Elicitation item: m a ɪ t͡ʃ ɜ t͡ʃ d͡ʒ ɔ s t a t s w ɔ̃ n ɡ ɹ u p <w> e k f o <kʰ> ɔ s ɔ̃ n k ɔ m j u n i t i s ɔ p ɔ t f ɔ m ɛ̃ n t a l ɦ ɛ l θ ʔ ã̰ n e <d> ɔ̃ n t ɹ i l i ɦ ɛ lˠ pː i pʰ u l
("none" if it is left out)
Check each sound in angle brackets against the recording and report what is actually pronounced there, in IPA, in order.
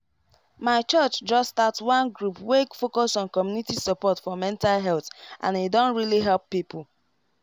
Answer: w, k, d

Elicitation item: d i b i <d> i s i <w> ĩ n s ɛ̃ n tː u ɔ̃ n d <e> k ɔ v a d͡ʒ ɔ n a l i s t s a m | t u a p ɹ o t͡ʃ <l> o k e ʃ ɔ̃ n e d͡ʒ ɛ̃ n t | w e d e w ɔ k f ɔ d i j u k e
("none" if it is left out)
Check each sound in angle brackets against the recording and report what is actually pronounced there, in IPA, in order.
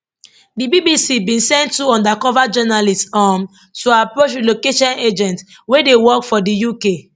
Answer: b, b, a, l

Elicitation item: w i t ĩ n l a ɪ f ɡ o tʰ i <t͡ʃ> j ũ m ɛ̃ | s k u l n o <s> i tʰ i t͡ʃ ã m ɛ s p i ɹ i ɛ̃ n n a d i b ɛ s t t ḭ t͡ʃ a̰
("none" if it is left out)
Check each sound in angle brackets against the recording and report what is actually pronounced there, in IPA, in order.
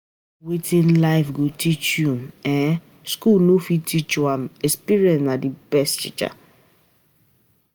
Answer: t͡ʃ, f

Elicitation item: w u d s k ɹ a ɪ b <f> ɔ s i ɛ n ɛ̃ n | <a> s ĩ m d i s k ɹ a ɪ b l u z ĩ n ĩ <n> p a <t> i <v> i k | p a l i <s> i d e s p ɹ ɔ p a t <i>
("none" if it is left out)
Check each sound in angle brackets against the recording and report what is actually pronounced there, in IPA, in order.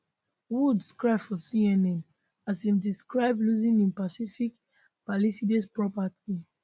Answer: f, a, n, s, f, s, i

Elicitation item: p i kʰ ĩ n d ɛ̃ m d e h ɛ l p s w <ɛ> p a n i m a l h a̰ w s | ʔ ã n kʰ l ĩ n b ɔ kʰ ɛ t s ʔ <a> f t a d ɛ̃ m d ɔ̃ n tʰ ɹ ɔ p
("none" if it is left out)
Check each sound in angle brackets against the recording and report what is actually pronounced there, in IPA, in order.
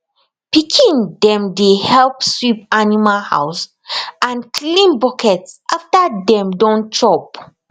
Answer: i, a

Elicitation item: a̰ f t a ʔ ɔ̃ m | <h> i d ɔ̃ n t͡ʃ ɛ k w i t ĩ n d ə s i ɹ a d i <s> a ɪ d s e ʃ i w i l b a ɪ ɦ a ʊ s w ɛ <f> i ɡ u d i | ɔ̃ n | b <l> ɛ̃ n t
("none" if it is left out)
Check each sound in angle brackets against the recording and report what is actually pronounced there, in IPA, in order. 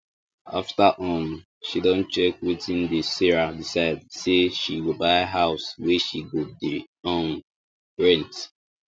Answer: ʃ, s, ʃ, ɹ

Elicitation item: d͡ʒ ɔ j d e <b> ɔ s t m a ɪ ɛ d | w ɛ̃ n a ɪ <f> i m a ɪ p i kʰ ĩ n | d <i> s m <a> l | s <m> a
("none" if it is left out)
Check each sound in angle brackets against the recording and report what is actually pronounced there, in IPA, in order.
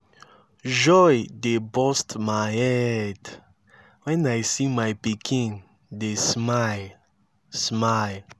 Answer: b, s, e, a, m

